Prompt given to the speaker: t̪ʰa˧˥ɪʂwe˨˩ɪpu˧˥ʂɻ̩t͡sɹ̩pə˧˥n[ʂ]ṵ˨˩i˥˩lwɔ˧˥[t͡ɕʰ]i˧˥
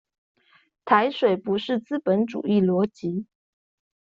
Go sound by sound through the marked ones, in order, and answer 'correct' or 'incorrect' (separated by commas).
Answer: incorrect, incorrect